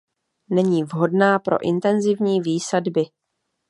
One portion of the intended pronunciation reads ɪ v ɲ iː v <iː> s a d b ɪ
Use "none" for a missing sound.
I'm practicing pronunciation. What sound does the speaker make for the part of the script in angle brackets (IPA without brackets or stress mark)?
iː